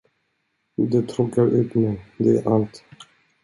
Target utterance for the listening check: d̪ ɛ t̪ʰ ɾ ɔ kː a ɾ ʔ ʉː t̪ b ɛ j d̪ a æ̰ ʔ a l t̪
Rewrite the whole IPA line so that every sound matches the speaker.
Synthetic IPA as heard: d̪ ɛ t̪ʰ ɾ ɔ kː a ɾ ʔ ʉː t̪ m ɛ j d̪ ɛ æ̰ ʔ a l t̪